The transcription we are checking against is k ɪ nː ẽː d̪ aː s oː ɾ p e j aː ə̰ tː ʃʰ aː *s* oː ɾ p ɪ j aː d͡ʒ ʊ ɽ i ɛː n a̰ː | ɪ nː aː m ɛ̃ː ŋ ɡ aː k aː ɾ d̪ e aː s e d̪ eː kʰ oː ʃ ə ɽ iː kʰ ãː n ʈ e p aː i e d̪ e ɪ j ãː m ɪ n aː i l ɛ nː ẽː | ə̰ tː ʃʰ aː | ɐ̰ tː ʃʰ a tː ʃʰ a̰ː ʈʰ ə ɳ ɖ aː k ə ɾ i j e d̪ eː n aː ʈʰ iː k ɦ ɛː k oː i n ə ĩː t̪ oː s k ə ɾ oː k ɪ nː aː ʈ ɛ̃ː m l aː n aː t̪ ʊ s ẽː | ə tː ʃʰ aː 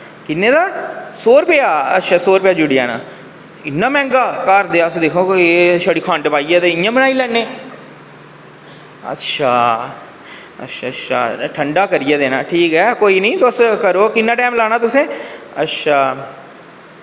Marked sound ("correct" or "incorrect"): correct